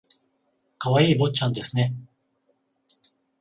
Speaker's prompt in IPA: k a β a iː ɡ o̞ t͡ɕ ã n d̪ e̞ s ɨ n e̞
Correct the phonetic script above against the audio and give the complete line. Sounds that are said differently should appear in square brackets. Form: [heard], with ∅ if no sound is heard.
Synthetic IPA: k a β a iː [b] o̞ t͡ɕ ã n d̪ e̞ s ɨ n e̞